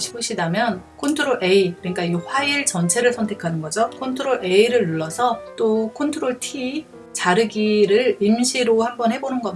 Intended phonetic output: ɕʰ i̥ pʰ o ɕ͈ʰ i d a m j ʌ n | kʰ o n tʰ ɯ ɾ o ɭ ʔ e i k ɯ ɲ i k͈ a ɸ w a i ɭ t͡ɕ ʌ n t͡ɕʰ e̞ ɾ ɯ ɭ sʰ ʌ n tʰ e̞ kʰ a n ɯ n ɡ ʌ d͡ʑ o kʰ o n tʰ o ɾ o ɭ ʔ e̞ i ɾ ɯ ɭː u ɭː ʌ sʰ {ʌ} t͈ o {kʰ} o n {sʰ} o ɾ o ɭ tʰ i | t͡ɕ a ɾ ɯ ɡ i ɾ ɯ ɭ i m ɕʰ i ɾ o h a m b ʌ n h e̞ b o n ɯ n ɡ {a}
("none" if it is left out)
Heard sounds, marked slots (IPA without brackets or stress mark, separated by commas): ʌ, kʰ, tʰ, ʌ